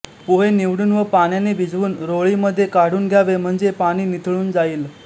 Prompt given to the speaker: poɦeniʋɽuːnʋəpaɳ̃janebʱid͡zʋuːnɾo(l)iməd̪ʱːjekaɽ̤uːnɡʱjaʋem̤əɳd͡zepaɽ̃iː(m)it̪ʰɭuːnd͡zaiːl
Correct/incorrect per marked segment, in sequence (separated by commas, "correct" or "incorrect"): incorrect, incorrect